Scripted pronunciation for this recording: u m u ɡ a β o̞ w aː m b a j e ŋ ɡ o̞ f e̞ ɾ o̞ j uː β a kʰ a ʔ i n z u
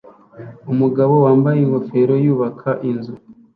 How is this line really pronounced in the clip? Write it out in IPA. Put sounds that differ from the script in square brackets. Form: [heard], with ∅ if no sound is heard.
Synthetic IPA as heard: u m u ɡ a β o̞ w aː m b a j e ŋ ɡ o̞ f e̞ ɾ o̞ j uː β a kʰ a ʔ i n z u